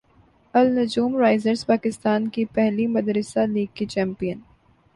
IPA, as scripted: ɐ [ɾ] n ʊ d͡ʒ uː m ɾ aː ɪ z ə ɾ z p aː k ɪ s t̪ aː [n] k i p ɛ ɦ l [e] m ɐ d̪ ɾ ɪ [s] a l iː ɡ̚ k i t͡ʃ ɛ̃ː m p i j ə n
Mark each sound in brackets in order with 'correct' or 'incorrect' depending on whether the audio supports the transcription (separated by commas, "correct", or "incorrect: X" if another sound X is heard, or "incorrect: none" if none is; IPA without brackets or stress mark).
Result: incorrect: l, correct, incorrect: i, correct